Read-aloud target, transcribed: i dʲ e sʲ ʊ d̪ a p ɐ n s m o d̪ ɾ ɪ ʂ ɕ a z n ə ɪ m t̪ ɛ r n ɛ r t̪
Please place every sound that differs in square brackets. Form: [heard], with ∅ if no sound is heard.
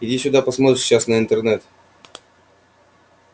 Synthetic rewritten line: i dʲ [i] sʲ ʊ d̪ a p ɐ [∅] s m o [t̪] ɾ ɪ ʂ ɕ a [s] n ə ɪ [n] t̪ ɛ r n ɛ [∅] t̪